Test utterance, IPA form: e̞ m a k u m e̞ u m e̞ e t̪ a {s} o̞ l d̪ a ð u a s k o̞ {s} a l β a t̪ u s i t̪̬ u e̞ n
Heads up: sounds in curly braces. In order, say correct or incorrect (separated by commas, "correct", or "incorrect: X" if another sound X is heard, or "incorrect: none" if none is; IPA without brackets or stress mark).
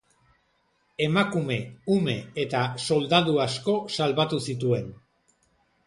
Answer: correct, correct